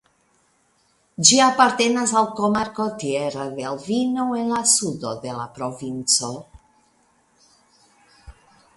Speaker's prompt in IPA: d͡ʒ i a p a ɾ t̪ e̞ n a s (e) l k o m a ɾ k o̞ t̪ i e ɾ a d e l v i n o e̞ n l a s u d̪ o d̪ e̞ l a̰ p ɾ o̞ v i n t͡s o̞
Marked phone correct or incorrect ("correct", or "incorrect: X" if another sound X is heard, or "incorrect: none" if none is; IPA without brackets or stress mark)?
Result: incorrect: a